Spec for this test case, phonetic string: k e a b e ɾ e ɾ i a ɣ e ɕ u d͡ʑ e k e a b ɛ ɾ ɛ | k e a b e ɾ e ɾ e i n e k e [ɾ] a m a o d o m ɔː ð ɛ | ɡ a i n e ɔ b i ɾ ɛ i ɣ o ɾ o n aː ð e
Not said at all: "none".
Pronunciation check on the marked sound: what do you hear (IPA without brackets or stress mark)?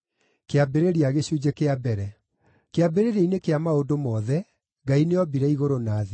none